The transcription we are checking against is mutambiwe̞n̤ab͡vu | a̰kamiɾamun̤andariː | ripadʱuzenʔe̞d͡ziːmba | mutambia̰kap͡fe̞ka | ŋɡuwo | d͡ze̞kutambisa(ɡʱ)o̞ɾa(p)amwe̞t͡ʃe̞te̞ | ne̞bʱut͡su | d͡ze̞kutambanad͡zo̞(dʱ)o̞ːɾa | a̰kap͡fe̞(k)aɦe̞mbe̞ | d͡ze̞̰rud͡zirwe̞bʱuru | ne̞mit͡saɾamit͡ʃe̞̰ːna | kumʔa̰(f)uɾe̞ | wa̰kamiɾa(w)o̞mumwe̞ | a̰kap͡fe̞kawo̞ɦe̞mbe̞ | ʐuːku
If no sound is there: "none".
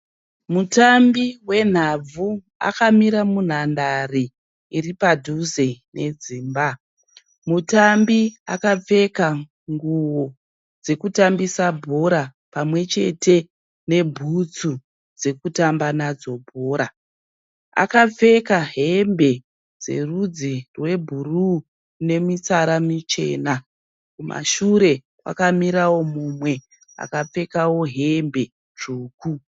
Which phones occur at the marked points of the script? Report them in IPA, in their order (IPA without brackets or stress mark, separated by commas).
bʱ, p, bʱ, k, ʃ, w